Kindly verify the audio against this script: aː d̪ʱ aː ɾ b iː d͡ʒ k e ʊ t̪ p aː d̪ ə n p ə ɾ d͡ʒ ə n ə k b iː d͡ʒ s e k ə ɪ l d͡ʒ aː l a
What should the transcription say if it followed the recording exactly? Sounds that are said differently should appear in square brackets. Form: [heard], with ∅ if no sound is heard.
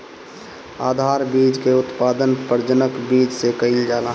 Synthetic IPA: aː d̪ʱ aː ɾ b iː d͡ʒ k e ʊ t̪ p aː d̪ ə n p ə ɾ d͡ʒ ə n ə k b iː d͡ʒ s e k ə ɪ l d͡ʒ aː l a